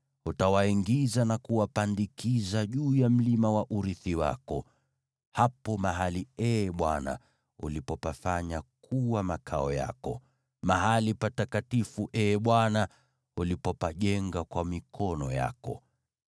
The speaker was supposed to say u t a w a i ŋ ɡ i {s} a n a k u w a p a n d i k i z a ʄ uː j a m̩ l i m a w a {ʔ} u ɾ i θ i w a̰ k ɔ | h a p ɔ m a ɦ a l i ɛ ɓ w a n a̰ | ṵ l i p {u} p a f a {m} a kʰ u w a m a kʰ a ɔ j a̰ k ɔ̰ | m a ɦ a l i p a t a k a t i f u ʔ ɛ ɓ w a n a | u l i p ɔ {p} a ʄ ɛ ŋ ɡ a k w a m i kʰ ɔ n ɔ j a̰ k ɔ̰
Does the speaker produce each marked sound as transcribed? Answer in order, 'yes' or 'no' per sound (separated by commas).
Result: no, yes, no, no, yes